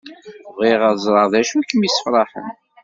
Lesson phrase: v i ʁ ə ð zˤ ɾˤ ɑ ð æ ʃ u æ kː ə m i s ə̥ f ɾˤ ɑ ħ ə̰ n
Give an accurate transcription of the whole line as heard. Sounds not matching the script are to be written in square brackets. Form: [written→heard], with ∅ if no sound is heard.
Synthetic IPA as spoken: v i ʁ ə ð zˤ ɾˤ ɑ ð æ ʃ u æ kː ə m i s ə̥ f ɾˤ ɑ ħ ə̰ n